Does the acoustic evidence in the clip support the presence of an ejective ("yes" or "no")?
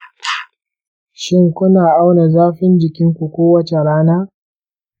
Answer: no